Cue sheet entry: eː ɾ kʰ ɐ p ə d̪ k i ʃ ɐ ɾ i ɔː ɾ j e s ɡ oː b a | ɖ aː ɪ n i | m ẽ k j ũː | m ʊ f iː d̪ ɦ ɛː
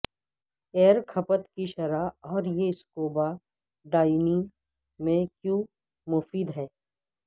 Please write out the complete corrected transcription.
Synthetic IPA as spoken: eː ɾ kʰ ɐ p ə t̪ k i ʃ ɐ ɾ a ɔː ɾ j e s k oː b a | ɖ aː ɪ n i | m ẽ k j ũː | m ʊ f iː d̪ ɦ ɛː